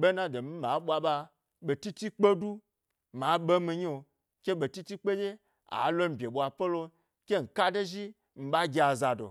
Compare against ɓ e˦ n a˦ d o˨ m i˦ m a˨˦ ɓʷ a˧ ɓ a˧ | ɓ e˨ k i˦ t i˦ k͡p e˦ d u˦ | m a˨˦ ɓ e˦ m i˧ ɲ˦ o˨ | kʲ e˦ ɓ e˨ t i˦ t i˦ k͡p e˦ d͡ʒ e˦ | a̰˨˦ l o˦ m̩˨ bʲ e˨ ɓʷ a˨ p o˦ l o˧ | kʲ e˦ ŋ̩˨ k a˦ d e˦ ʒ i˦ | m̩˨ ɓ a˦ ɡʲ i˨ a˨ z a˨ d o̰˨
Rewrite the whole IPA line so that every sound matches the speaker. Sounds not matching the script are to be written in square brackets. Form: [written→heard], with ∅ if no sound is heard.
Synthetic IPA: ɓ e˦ n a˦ d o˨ m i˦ m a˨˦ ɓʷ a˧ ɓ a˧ | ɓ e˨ [k→t] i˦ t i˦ k͡p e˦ d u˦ | m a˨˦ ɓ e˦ m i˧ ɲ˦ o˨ | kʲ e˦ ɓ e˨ t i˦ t i˦ k͡p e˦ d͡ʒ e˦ | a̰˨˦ l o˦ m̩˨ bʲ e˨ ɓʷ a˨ p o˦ l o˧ | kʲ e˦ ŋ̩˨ k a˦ d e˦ ʒ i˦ | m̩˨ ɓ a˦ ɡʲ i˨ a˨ z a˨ d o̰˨